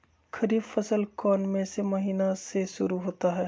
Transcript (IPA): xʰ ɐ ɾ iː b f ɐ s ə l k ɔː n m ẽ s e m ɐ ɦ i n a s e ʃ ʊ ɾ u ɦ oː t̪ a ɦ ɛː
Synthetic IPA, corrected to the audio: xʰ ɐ ɾ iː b f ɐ s ə l k ɔː n m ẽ s e m ɐ ɦ iː n a s e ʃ ʊ ɾ u ɦ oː t̪ a ɦ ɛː